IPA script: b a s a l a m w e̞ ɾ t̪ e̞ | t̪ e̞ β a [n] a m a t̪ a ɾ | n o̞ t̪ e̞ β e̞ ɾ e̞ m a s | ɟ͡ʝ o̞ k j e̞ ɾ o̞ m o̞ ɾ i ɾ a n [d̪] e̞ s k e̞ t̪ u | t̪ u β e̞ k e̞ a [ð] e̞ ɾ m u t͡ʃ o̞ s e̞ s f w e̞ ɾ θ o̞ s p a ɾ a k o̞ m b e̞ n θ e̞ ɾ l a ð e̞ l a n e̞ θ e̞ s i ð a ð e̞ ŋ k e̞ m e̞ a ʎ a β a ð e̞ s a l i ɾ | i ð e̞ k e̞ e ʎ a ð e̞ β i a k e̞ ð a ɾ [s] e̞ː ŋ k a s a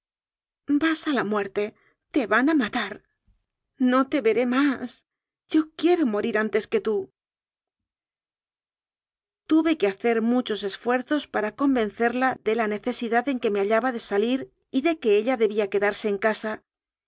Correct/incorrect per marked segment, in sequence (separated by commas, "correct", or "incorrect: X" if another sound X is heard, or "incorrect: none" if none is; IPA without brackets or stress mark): correct, incorrect: t̪, incorrect: θ, correct